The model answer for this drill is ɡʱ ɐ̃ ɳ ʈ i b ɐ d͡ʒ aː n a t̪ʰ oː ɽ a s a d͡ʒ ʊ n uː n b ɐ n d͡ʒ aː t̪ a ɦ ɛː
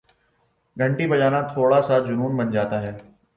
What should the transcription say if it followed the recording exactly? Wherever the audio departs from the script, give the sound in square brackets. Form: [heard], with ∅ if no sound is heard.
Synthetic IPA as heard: ɡʱ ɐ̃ ɳ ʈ i b ɐ d͡ʒ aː n a t̪ʰ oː ɽ a s a d͡ʒ ʊ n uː n b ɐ n d͡ʒ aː t̪ a ɦ ɛː